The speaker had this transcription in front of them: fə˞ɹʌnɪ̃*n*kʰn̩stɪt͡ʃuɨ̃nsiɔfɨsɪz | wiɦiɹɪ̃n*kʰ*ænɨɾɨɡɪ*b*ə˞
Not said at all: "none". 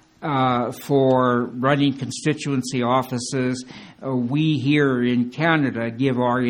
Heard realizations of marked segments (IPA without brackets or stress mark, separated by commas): ŋ, kʰ, v